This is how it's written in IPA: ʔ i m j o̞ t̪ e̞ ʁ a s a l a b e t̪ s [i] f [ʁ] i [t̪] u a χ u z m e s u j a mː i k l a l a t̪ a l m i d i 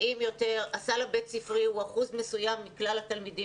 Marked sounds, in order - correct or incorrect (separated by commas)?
correct, correct, incorrect